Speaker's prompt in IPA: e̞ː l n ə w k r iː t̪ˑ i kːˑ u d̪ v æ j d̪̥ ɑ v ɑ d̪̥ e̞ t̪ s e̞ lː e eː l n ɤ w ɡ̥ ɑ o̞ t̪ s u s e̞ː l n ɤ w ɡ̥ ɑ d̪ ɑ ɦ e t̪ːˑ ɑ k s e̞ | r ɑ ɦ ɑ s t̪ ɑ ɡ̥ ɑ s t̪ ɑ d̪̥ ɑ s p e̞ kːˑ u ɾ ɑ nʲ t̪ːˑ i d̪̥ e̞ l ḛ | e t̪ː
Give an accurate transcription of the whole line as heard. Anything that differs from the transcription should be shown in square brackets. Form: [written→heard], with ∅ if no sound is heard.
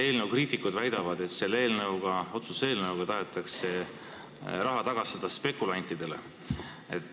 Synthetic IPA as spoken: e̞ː l n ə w k r iː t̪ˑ i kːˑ u d̪ v æ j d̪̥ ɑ v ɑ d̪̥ e̞ t̪ s e̞ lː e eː l n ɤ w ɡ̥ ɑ o̞ t̪ s u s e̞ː l n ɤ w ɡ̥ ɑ [d̪→t̪] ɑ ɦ e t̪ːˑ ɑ k s e̞ | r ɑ ɦ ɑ [s→∅] t̪ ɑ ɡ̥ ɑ s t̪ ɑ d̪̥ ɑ s p e̞ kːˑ u [ɾ→l] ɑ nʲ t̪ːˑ i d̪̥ e̞ l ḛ | e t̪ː

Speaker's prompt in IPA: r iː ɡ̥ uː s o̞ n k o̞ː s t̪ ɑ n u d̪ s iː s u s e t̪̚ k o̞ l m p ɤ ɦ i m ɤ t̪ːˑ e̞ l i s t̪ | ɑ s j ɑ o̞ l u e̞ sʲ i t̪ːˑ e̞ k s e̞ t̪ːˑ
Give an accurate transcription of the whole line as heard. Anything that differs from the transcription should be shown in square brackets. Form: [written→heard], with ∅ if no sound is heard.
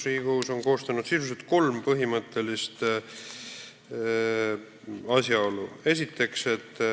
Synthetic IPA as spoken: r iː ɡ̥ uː s o̞ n k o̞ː s t̪ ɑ n u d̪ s [iː→i] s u s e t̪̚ k o̞ l m p ɤ ɦ i m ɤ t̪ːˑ e̞ l i s t̪ | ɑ s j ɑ o̞ l u e̞ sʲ i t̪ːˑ e̞ k s e̞ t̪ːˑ

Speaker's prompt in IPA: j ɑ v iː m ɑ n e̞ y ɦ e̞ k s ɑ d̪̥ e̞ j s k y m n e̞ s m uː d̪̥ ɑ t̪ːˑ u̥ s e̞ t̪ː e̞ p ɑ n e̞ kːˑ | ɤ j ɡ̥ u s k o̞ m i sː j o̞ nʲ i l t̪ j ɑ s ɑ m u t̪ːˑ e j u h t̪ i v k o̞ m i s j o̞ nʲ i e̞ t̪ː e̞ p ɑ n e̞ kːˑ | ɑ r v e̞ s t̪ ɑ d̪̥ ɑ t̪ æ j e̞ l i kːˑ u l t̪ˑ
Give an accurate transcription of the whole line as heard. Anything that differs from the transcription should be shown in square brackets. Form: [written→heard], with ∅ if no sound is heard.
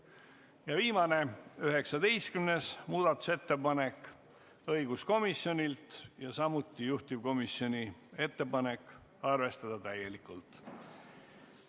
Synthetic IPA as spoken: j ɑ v iː m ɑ n e̞ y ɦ e̞ k s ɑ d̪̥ e̞ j s k y m n e̞ s m uː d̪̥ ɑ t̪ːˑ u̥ s e̞ t̪ː e̞ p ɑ n e̞ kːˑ | ɤ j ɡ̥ u s k o̞ m i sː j o̞ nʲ i l t̪ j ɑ s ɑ m u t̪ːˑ [e→i] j u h t̪ i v k o̞ m i s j o̞ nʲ i e̞ t̪ː e̞ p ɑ n e̞ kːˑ | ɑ r v e̞ s t̪ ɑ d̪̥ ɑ t̪ æ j e̞ l i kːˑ u l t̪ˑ

